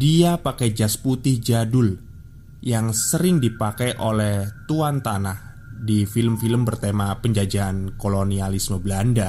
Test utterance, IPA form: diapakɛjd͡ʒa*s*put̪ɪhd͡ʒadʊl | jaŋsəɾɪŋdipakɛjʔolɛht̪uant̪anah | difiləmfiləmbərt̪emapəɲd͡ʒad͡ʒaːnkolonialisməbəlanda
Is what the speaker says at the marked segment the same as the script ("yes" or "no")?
yes